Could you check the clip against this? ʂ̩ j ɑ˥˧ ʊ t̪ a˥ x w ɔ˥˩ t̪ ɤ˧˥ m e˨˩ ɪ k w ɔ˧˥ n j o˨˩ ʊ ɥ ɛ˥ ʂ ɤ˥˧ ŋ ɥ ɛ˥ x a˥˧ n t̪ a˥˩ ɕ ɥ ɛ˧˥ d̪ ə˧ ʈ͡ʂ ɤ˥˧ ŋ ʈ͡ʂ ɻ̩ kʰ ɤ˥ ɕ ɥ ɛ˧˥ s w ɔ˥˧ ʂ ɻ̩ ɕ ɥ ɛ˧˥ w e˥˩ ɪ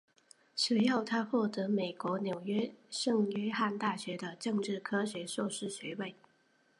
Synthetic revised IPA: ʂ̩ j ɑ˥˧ ʊ t̪ʰ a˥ x w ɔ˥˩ t̪ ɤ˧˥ m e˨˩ ɪ k w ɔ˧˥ n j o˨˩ ʊ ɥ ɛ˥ ʂ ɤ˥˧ ŋ ɥ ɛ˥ x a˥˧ n t̪ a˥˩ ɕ ɥ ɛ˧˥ d̪ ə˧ ʈ͡ʂ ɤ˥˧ ŋ ʈ͡ʂ ɻ̩ kʰ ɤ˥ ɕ ɥ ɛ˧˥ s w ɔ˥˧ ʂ ɻ̩ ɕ ɥ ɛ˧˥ w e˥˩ ɪ